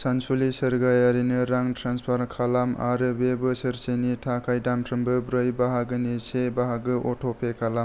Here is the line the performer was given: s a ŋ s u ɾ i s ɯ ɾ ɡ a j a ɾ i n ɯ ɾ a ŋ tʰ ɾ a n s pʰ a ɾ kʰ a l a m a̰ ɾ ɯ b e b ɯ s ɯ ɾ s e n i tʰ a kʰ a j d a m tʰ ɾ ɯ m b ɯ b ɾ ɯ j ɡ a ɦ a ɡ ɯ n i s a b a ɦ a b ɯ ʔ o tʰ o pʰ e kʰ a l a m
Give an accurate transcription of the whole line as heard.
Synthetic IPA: s a n s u l i s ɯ ɾ ɡ a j a ɾ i n ɯ ɾ a ŋ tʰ ɾ a n s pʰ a ɾ kʰ a l a m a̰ ɾ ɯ b e b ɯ s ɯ ɾ s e n i tʰ a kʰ a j d a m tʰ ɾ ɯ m b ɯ b ɾ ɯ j b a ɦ a ɡ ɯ n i s e b a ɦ a ɡ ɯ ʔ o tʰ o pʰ e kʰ a l a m